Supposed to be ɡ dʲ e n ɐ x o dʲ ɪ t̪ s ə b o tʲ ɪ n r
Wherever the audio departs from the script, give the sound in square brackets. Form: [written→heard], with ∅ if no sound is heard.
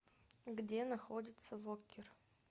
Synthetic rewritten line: ɡ dʲ e n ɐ x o dʲ ɪ t̪ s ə [b→v] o [tʲ→kʲ] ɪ [n→∅] r